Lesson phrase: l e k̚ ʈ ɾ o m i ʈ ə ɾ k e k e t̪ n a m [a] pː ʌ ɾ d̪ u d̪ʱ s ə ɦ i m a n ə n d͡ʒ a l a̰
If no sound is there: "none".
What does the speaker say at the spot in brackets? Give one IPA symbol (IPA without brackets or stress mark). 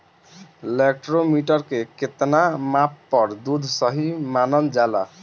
a